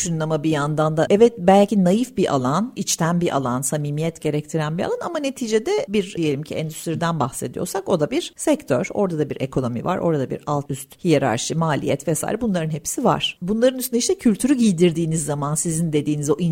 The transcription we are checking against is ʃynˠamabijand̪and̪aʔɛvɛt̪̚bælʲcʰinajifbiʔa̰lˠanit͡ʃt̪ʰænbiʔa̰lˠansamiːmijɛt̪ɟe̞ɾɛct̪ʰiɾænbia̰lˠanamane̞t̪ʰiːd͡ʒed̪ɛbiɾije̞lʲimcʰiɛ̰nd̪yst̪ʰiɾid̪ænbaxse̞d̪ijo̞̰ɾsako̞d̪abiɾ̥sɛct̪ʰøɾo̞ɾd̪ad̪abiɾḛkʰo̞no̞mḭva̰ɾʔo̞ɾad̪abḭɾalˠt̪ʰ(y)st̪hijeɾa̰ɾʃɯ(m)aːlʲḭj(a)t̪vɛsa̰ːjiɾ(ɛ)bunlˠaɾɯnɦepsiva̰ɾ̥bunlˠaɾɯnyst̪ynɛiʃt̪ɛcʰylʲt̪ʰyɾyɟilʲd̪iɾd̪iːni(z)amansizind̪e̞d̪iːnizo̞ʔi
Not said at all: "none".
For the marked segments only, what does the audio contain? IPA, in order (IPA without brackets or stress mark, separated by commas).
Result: y, m, ɛ, ɛ, zː